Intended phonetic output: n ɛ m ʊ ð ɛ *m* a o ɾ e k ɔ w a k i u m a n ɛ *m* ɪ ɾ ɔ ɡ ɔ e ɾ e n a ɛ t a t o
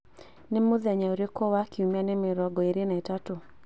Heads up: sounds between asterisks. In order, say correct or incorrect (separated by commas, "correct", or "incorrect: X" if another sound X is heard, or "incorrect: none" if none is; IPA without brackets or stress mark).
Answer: incorrect: ɲ, correct